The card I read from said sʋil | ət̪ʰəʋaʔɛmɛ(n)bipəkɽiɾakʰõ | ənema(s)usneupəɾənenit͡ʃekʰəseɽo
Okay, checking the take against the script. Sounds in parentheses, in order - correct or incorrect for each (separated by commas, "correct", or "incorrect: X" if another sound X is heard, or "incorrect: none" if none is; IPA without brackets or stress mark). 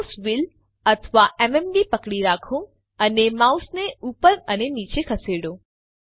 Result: incorrect: m, incorrect: none